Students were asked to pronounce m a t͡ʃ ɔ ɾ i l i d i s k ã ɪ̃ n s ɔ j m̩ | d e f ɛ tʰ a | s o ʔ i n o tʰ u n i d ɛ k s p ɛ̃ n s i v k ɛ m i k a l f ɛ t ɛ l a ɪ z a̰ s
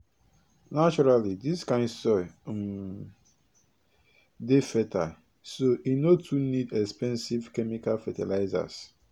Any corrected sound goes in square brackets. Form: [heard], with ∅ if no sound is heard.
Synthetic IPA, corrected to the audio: [n] a t͡ʃ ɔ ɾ [a] l i d i s k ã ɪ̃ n s ɔ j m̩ | d e f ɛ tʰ a | s o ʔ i n o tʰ u n i d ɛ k s p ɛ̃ n s i v k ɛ m i k a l f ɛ t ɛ l a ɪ z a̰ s